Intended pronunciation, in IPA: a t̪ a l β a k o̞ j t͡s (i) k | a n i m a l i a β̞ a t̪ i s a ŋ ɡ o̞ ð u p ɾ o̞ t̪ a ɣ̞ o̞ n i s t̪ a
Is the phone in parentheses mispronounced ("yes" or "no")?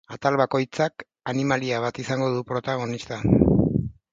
yes